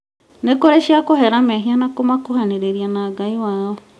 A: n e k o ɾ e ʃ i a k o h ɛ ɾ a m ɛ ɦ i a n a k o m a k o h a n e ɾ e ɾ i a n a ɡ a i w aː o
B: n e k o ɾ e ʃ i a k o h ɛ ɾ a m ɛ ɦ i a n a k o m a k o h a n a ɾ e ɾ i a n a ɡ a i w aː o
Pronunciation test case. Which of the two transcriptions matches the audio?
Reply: A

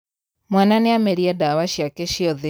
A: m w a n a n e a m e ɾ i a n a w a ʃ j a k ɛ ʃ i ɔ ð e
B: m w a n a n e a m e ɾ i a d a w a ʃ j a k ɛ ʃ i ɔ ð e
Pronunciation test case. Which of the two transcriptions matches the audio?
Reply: B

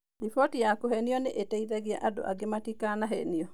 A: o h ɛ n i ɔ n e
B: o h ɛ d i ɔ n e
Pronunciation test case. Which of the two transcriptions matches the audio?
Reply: A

